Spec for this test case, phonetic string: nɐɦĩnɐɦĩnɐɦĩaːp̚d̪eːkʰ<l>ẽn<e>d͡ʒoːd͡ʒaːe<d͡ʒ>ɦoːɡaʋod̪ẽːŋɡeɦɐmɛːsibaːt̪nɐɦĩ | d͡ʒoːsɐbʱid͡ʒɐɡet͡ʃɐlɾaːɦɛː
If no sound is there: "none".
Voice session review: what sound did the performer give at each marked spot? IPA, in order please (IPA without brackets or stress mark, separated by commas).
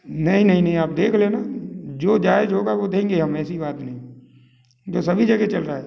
l, a, d͡ʒ